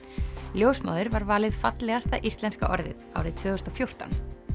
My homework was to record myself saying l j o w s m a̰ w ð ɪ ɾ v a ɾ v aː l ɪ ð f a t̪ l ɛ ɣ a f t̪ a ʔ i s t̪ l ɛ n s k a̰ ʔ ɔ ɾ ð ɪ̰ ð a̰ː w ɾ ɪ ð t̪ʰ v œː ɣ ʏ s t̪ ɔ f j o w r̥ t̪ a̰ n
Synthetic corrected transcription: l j o w s m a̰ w ð ɪ ɾ v a ɾ v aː l ɪ ð f a t̪ l ɛ ɣ a s t̪ a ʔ i s t̪ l ɛ n s k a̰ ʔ ɔ ɾ ð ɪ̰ ð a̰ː w ɾ ɪ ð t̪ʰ v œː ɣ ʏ s t̪ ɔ f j o w r̥ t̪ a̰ n